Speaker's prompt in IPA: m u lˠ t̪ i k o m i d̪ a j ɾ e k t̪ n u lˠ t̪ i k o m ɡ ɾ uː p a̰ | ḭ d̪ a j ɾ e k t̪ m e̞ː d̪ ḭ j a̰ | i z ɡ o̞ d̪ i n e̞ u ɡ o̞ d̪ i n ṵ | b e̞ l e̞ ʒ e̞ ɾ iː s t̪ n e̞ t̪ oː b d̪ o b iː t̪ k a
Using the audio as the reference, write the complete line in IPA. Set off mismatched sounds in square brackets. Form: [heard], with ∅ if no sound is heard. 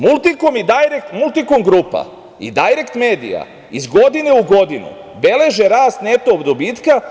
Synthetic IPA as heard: m u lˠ t̪ i k o m i d̪ a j ɾ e k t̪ [m] u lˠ t̪ i k o m ɡ ɾ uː p a̰ | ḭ d̪ a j ɾ e k t̪ m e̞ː d̪ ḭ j a̰ | i z ɡ o̞ d̪ i n e̞ u ɡ o̞ d̪ i n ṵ | b e̞ l e̞ ʒ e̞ ɾ [aː] s t̪ n e̞ t̪ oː b d̪ o b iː t̪ k a

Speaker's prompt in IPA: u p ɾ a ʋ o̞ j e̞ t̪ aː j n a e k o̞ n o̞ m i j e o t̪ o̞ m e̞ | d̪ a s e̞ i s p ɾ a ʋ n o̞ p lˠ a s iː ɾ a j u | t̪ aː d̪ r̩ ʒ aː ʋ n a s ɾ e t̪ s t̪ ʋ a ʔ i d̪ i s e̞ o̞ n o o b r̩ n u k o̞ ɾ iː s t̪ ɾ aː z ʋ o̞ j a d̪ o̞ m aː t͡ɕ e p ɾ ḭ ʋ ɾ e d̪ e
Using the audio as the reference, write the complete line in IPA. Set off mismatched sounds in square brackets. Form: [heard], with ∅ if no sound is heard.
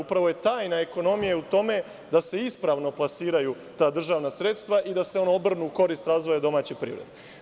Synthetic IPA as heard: u p ɾ a ʋ o̞ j e̞ t̪ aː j n a e k o̞ n o̞ m i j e [u] t̪ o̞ m e̞ | d̪ a s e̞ i s p ɾ a ʋ n o̞ p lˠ a s iː ɾ a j u | t̪ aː d̪ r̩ ʒ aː ʋ n a s ɾ e t̪ s t̪ ʋ a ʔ i d̪ [a] s e̞ o̞ n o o b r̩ n u k o̞ ɾ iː s t̪ ɾ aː z ʋ o̞ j a d̪ o̞ m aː t͡ɕ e p ɾ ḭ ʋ ɾ e d̪ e

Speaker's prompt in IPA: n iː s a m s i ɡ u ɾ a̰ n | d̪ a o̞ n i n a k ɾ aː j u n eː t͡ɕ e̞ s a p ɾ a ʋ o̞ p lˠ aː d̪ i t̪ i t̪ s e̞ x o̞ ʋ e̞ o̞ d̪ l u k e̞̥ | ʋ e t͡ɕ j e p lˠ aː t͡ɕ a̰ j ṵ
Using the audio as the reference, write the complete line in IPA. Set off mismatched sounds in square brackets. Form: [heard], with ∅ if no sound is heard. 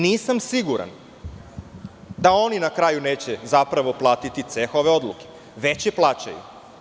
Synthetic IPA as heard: n iː s a m s i ɡ u ɾ a̰ n | d̪ a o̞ n i n a k ɾ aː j u n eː t͡ɕ e̞ [z] a p ɾ a ʋ o̞ p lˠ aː [t̪] i t̪ i t̪ s e̞ x o̞ ʋ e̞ o̞ d̪ l u k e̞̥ | ʋ e t͡ɕ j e p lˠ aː t͡ɕ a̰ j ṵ

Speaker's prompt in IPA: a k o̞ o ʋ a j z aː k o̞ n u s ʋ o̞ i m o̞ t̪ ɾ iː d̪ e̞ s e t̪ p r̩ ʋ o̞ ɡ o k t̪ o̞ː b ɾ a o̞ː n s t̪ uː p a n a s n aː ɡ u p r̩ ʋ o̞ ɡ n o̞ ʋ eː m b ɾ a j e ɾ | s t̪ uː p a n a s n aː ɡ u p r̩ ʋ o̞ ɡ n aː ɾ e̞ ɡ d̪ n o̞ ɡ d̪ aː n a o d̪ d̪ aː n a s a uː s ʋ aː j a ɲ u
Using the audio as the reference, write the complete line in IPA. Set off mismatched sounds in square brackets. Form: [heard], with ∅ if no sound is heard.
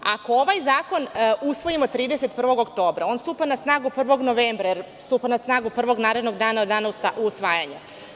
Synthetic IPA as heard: a k o̞ o ʋ a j z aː k o̞ n u s ʋ o̞ i m o̞ t̪ ɾ iː d̪ e̞ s e t̪ p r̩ ʋ o̞ ɡ o k t̪ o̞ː b ɾ a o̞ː n s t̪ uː p a n a s n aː ɡ u p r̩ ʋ o̞ ɡ n o̞ ʋ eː m b ɾ a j e ɾ | s t̪ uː p a n a s n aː ɡ u p r̩ ʋ o̞ ɡ n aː ɾ e̞ [∅] d̪ n o̞ ɡ d̪ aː n a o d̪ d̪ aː n a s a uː s ʋ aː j a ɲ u

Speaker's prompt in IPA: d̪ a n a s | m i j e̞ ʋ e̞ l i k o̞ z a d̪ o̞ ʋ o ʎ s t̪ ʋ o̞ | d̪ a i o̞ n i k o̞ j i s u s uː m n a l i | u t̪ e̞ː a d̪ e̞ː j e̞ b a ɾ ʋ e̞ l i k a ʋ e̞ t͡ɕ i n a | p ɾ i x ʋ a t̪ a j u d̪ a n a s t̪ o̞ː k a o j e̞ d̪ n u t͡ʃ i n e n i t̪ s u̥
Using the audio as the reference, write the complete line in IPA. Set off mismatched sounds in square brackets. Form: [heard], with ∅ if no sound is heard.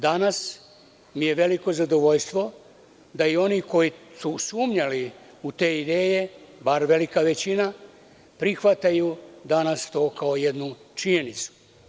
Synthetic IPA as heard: d̪ a n a s | m i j e̞ ʋ e̞ l i k o̞ z a d̪ o̞ ʋ o ʎ s t̪ ʋ o̞ | d̪ a i o̞ n i k o̞ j i s u s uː m [ɲ] a l i | u t̪ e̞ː [i] d̪ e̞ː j e̞ b a ɾ ʋ e̞ l i k a ʋ e̞ t͡ɕ i n a | p ɾ i x ʋ a t̪ a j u d̪ a n a s t̪ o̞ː k a o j e̞ d̪ n u t͡ʃ i [ɲ] e n i t̪ s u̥

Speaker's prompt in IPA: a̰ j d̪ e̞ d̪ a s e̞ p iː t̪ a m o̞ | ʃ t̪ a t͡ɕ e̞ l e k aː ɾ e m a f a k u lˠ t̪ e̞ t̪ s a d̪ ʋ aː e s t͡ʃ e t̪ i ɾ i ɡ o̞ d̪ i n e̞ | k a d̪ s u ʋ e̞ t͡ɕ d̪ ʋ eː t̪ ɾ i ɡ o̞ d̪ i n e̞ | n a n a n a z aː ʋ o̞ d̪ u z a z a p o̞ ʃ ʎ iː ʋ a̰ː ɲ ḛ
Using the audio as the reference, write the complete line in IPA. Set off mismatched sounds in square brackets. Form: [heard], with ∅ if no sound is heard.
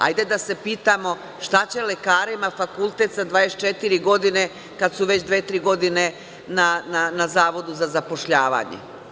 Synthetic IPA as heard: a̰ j d̪ e̞ d̪ a s e̞ p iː t̪ a m o̞ | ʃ t̪ a t͡ɕ e̞ l e k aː ɾ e m a f a k u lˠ t̪ e̞ t̪ s a d̪ ʋ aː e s t͡ʃ e t̪ i ɾ i ɡ o̞ d̪ i n e̞ | k a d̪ s u ʋ e̞ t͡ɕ d̪ ʋ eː t̪ ɾ i ɡ o̞ d̪ i n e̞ | n a n a n a z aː ʋ o̞ d̪ u z a z a p o̞ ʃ ʎ [aː] ʋ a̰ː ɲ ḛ

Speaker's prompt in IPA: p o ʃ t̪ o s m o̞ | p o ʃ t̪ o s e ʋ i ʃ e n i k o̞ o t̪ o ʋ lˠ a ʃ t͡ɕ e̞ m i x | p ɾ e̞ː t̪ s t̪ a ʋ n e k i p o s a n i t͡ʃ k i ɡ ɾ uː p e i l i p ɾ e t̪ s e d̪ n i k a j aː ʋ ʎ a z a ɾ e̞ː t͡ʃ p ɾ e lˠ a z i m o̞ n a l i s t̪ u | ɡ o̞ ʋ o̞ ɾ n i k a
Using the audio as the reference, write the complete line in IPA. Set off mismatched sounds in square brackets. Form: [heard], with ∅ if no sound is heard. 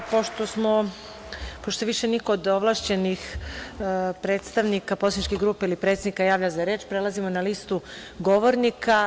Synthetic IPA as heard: p o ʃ t̪ o s m o̞ | p o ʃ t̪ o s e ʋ i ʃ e n i k o̞ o [d̪] o ʋ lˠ a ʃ t͡ɕ e̞ [n] i x | p ɾ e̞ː t̪ s t̪ a ʋ n [i] k [a] p o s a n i t͡ʃ k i ɡ ɾ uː p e i l i p ɾ e t̪ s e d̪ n i k a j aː ʋ ʎ a z a ɾ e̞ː t͡ʃ p ɾ e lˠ a z i m o̞ n a l i s t̪ u | ɡ o̞ ʋ o̞ ɾ n i k a

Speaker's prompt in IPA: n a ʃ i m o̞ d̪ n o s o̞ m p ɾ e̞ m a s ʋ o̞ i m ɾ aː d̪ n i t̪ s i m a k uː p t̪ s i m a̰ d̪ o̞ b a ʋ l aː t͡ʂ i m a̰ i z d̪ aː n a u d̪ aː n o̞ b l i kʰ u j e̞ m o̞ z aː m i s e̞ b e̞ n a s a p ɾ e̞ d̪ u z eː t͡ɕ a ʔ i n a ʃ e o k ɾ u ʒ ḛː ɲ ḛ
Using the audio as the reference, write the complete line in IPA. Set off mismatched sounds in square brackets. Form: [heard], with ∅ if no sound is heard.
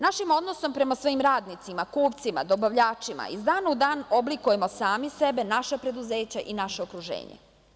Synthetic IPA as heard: n a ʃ i m o̞ d̪ n o s o̞ m p ɾ e̞ m a s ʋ o̞ i m ɾ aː d̪ n i t̪ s i m a k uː p t̪ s i m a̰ d̪ o̞ b a ʋ [ʎ] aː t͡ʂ i m a̰ i z d̪ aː n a u d̪ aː n o̞ b l i [k] u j e̞ m o̞ [s] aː m i s e̞ b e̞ n a [ʃ] a p ɾ e̞ d̪ u z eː t͡ɕ a ʔ i n a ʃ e o k ɾ u ʒ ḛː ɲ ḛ

